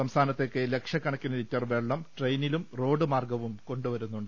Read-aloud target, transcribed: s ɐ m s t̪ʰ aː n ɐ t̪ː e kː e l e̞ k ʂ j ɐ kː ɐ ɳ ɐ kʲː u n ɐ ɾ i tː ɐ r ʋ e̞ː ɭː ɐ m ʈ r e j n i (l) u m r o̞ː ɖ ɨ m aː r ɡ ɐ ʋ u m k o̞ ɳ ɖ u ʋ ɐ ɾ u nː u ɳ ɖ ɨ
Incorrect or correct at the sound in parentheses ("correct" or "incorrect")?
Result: correct